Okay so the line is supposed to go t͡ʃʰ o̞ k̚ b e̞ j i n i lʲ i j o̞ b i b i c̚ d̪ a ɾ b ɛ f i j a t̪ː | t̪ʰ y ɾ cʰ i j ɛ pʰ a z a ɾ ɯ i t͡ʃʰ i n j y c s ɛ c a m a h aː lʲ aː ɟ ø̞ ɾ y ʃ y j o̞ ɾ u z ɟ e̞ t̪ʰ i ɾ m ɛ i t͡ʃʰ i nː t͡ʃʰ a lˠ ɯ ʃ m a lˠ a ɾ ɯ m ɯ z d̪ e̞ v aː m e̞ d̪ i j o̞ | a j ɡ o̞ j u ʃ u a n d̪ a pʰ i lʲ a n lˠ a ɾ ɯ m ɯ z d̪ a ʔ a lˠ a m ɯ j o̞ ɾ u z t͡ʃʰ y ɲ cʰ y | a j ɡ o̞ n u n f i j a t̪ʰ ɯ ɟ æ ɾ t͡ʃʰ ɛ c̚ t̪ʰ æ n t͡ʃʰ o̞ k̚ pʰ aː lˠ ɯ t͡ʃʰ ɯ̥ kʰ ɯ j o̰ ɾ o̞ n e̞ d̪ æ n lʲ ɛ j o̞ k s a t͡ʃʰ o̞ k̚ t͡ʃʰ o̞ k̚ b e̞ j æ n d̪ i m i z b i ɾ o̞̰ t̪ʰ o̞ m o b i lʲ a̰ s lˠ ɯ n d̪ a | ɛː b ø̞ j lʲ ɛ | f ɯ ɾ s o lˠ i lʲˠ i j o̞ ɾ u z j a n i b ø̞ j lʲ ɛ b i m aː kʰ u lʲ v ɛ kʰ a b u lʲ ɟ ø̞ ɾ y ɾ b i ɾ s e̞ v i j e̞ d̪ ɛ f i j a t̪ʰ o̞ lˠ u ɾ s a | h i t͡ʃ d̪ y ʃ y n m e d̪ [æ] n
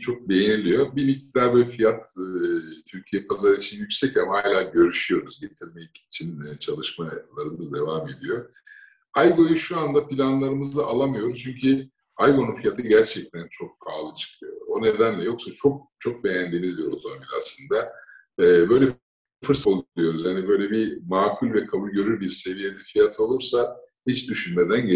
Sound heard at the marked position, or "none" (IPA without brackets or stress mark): æ